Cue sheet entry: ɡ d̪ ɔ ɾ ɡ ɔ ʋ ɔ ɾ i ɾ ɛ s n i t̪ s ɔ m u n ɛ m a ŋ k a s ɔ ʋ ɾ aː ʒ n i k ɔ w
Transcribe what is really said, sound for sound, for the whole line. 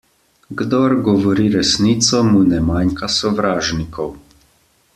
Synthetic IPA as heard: ɡ d̪ ɔ ɾ ɡ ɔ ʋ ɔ ɾ i ɾ ɛ s n i t̪ s ɔ m u n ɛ m a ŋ k a s ɔ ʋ ɾ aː ʒ n i k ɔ w